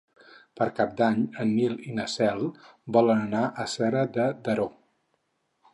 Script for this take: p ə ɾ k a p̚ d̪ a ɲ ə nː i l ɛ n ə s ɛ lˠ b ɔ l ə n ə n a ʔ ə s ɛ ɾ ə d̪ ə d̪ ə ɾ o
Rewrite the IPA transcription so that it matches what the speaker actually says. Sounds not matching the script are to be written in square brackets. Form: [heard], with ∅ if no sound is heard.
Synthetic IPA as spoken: p ə ɾ k a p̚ d̪ a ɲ ə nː i l [i] n ə s ɛ lˠ b ɔ l ə n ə n a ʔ ə s ɛ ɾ ə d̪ ə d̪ ə ɾ o